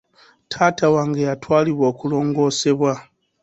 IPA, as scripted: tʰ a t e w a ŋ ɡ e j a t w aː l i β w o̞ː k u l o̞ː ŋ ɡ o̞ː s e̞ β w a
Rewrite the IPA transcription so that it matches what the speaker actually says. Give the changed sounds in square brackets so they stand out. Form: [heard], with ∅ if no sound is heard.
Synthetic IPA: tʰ a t [a] w a ŋ ɡ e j a t w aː l i β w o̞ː k u l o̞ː ŋ ɡ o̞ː s e̞ β w a